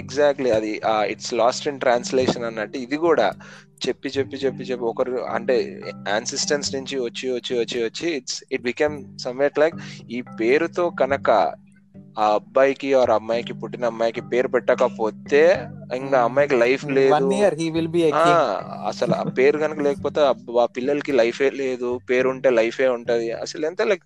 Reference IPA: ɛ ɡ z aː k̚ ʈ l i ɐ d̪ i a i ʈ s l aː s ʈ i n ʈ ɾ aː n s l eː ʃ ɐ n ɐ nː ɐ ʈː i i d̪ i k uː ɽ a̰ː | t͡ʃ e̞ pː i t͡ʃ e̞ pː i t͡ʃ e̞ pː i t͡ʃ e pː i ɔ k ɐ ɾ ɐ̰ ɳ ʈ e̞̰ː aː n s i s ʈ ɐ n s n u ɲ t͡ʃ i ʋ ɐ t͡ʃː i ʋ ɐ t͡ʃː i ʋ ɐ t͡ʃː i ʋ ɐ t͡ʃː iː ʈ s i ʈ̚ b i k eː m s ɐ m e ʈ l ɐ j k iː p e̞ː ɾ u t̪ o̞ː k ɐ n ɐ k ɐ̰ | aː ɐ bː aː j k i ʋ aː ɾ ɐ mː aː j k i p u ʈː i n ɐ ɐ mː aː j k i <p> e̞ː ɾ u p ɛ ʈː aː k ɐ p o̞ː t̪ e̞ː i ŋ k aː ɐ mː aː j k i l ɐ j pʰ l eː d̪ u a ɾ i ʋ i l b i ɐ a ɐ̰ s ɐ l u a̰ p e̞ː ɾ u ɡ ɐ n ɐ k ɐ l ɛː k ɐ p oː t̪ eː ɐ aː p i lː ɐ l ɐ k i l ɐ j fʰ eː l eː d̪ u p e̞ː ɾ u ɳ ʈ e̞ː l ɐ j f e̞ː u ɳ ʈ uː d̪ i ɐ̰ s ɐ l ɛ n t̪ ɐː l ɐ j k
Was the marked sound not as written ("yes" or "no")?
no